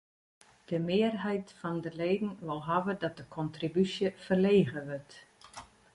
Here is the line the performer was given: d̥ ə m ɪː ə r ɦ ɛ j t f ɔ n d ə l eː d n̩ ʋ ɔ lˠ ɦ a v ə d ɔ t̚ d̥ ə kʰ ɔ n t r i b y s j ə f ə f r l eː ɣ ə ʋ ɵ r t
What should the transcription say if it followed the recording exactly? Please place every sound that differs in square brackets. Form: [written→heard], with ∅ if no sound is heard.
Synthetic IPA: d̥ ə m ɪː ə r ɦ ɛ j t f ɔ n d ə l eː d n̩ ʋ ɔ lˠ ɦ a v ə d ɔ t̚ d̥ ə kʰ ɔ n t r i b y s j ə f ə [f→∅] r l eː ɣ ə ʋ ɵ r t